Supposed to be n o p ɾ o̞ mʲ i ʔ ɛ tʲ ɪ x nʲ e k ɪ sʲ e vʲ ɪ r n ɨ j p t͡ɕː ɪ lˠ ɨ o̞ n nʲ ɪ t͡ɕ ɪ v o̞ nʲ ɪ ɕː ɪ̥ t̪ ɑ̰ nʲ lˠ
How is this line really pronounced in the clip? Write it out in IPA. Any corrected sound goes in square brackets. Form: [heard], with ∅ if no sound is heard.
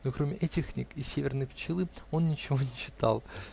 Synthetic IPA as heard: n o [k] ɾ o̞ mʲ [ɪ] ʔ ɛ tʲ ɪ x nʲ [i] k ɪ sʲ e vʲ ɪ r n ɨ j p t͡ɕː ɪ lˠ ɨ o̞ n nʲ ɪ t͡ɕ ɪ v o̞ nʲ ɪ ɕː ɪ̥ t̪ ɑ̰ [∅] lˠ